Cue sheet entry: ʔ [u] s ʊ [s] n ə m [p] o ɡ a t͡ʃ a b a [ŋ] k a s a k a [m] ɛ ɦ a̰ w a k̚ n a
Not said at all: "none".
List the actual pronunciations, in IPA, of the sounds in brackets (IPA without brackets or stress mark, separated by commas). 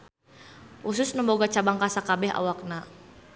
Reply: u, s, b, ŋ, b